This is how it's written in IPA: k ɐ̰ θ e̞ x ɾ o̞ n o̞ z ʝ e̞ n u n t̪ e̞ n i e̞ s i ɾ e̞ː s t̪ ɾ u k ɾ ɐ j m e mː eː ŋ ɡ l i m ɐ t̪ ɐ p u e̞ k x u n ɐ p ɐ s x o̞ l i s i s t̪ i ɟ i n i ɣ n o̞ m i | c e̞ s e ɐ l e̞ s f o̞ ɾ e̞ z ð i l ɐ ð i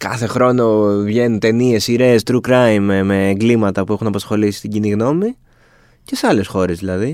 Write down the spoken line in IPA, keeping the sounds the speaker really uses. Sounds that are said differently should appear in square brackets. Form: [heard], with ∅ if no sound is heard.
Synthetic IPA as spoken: k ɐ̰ θ e̞ x ɾ o̞ n o̞ [v] ʝ e̞ n u n t̪ e̞ n i e̞ s i ɾ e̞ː s t̪ ɾ u k ɾ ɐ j m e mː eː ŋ ɡ l i m ɐ t̪ ɐ p u e̞ [∅] x u n ɐ p ɐ s x o̞ l i s i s t̪ i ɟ i n i ɣ n o̞ m i | c e̞ s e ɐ l e̞ s [x] o̞ ɾ e̞ z ð i l ɐ ð i